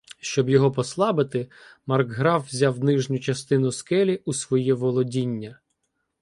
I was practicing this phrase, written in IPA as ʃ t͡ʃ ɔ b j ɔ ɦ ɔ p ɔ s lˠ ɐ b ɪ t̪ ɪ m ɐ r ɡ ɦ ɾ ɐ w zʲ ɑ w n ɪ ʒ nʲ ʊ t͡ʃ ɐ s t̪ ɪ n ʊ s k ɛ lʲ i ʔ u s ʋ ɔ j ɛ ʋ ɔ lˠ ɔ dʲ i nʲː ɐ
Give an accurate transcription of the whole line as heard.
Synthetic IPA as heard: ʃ t͡ʃ ɔ b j ɔ ɦ ɔ p ɔ s lˠ ɑ b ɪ t̪ ɪ m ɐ r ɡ ɦ ɾ ɑ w zʲ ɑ w n ɪ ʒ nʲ ʊ t͡ʃ ɐ s t̪ ɪ n ʊ s k ɛ lʲ i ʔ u s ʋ ɔ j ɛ ʋ ɔ lˠ ɔ dʲ i nʲː ɐ